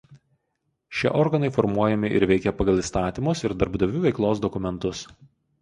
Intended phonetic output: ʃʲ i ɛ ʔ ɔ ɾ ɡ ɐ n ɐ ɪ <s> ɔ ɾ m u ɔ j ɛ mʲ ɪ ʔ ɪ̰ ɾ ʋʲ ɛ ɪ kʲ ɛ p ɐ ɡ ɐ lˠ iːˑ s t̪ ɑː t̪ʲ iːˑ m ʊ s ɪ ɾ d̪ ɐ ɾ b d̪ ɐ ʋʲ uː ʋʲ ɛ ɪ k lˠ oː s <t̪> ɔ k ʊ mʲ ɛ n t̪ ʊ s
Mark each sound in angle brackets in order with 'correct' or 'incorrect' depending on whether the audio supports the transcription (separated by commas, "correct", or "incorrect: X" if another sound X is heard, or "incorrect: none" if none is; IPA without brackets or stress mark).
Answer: incorrect: f, incorrect: d̪